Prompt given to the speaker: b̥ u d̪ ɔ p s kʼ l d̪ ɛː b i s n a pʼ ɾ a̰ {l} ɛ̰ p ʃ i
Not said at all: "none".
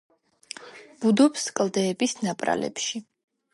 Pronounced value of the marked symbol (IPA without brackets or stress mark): l